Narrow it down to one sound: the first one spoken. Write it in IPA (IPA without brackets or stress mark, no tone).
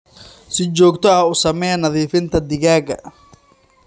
s